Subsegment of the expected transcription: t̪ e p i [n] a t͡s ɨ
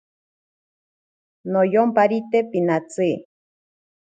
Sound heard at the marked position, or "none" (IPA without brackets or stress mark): n